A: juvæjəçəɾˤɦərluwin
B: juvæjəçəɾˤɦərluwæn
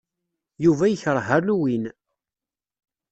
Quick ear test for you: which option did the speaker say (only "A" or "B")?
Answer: A